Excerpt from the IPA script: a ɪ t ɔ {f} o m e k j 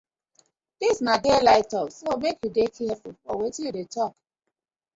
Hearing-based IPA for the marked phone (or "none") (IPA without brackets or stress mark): s